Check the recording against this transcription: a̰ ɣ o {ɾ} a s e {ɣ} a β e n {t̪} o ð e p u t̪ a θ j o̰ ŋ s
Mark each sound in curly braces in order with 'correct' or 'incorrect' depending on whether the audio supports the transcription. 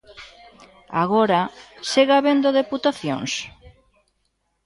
correct, correct, incorrect: d̪

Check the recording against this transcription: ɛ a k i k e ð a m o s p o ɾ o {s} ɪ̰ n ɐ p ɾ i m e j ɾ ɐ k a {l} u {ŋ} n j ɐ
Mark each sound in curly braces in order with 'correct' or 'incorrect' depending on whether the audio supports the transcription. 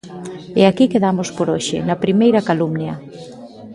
incorrect: ʃ, correct, incorrect: m

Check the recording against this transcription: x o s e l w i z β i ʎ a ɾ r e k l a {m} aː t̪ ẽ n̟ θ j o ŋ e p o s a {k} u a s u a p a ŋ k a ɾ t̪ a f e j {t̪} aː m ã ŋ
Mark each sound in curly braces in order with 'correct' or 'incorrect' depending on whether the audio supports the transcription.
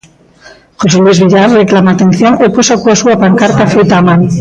correct, correct, correct

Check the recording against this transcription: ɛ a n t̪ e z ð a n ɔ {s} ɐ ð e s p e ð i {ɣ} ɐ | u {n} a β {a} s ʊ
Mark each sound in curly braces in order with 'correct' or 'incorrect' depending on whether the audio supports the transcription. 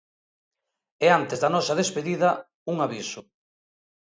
correct, incorrect: ð, incorrect: ŋ, incorrect: i

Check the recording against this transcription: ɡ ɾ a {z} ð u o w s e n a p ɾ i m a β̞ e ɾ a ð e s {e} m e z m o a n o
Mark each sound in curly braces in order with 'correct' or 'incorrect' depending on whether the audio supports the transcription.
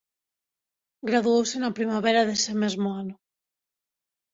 incorrect: none, correct

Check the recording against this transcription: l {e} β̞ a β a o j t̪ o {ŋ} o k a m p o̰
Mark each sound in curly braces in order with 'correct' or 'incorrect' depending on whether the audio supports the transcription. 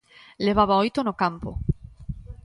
correct, incorrect: n

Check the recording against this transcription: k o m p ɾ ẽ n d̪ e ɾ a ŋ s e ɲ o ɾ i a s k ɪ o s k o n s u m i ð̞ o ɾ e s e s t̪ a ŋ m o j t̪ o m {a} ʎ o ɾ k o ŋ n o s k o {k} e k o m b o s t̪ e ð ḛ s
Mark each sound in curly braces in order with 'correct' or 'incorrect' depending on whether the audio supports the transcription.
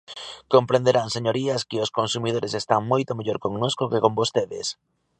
incorrect: e, correct

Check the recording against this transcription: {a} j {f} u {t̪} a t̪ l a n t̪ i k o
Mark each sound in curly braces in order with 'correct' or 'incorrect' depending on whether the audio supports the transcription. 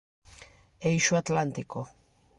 incorrect: e, incorrect: ʃ, incorrect: none

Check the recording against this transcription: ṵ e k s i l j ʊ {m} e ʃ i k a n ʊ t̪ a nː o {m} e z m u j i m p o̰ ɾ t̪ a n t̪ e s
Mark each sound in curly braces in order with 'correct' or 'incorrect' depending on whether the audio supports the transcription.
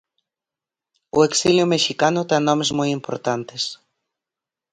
correct, correct

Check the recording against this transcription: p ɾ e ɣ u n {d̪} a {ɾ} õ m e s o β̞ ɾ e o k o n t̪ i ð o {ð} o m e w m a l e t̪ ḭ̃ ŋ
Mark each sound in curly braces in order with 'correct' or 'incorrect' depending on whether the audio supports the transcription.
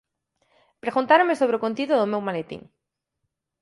incorrect: t̪, correct, correct

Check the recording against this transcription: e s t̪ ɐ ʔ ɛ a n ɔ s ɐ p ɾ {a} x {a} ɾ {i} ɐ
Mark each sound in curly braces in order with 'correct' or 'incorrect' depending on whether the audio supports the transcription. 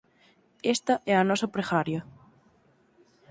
incorrect: e, correct, incorrect: j

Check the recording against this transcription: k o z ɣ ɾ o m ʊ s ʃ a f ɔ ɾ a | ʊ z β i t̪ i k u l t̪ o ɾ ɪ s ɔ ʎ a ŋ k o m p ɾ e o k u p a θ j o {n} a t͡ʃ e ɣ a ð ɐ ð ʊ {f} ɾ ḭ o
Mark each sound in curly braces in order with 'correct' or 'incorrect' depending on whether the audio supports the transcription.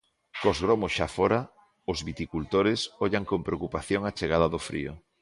incorrect: ŋ, correct

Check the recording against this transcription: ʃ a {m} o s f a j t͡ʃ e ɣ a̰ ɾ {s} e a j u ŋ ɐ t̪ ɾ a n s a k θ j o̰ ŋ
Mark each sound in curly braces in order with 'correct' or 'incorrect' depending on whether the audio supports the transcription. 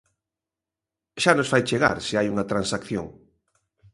incorrect: n, correct

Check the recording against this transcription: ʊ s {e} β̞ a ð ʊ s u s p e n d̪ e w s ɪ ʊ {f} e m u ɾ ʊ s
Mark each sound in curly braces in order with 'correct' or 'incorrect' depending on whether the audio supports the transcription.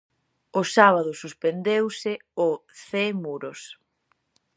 incorrect: a, incorrect: θ

